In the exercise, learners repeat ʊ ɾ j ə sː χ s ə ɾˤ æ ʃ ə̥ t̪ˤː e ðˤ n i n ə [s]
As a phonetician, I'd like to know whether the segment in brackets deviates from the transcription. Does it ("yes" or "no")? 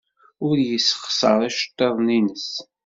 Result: no